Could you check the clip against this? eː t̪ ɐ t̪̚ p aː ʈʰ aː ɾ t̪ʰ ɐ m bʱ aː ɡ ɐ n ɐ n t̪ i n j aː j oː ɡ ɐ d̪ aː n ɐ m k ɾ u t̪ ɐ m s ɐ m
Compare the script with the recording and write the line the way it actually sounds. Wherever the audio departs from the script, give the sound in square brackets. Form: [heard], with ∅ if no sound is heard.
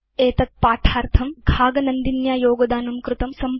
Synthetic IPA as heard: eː t̪ ɐ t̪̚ p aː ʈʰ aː ɾ t̪ʰ ɐ m [ɡʱ] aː ɡ ɐ n ɐ n [d̪] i n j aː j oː ɡ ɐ d̪ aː n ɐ m k ɾ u t̪ ɐ m s ɐ m